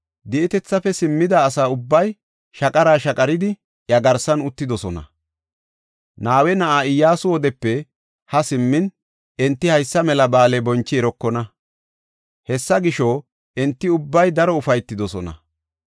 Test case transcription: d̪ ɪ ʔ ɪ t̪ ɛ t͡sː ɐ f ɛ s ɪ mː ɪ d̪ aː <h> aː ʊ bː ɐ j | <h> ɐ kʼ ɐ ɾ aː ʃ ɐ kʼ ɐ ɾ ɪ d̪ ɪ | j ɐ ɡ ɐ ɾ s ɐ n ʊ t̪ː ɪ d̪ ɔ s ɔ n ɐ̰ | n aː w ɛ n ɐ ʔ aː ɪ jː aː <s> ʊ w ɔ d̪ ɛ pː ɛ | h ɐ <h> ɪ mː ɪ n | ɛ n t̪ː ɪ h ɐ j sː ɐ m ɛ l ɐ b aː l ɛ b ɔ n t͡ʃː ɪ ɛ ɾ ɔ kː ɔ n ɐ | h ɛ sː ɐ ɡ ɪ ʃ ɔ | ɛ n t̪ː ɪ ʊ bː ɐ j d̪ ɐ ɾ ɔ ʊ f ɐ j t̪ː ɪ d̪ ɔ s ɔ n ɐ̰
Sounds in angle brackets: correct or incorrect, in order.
incorrect, incorrect, correct, incorrect

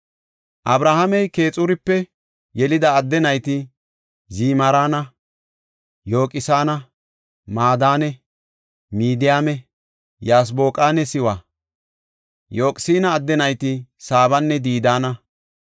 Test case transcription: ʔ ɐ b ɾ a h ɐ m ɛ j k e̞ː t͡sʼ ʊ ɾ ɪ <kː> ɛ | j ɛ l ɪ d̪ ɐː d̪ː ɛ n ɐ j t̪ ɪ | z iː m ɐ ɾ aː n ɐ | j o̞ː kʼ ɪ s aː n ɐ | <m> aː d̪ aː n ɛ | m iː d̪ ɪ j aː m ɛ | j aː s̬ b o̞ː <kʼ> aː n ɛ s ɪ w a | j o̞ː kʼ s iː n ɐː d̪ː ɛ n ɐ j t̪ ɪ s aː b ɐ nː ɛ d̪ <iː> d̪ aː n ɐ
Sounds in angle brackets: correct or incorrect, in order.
incorrect, correct, correct, correct

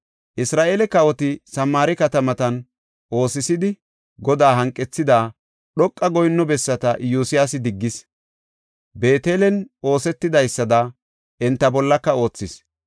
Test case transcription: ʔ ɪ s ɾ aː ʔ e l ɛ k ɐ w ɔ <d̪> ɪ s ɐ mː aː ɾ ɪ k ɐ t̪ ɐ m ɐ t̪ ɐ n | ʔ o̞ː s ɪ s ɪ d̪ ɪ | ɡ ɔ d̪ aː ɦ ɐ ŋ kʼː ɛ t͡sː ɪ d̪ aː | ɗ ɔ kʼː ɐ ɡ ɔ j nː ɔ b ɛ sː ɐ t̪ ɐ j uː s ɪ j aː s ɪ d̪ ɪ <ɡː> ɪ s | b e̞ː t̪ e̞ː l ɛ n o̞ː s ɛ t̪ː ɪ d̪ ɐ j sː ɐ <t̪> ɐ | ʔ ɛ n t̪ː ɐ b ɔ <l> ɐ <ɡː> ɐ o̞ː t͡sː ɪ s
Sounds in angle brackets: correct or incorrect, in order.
incorrect, correct, incorrect, incorrect, incorrect

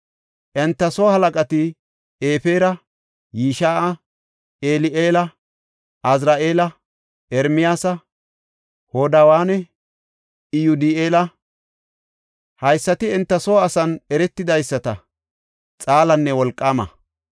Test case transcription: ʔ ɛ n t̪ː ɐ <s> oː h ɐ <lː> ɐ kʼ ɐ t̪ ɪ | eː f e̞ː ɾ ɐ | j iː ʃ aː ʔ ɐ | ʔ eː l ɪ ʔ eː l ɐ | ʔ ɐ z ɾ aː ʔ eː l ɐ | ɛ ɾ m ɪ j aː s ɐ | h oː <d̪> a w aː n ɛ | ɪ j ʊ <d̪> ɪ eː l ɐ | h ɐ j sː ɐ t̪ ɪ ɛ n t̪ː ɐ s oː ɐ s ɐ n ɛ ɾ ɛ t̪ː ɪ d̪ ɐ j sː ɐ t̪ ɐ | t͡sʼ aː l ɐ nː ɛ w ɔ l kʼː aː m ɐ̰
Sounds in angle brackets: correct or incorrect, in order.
correct, incorrect, correct, correct

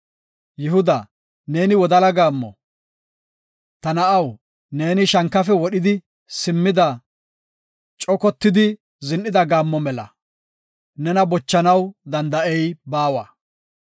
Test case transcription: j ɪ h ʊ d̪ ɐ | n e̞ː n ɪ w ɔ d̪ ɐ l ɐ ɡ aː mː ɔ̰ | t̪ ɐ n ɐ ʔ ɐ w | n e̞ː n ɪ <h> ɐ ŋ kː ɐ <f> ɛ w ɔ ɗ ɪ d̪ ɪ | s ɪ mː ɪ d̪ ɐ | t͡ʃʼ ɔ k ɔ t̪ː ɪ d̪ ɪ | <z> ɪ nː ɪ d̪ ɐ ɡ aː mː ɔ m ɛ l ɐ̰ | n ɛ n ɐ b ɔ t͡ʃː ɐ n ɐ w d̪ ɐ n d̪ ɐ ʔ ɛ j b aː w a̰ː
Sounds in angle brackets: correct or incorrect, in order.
incorrect, correct, correct

